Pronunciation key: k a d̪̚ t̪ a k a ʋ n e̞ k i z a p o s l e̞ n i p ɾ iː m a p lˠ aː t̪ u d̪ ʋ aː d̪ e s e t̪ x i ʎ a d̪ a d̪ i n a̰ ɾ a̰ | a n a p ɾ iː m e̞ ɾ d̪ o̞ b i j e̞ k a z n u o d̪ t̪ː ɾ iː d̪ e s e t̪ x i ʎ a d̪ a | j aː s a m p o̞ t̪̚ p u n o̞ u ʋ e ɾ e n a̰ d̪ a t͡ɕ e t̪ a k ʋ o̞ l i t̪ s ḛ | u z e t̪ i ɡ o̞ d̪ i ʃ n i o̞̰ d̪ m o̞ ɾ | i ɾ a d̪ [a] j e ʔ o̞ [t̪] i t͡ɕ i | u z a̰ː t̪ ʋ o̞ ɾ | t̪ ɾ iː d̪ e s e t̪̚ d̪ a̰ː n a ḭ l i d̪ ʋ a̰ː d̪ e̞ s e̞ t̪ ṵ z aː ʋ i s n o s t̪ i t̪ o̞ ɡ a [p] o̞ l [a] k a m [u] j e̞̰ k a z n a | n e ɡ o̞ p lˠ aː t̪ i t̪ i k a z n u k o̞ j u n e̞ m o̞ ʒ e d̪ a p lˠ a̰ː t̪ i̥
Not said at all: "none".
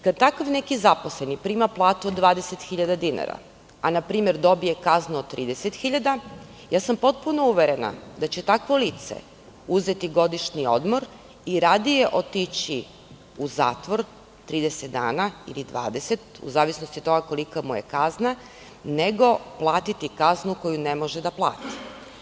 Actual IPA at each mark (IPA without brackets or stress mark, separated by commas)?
i, t̪, k, i, u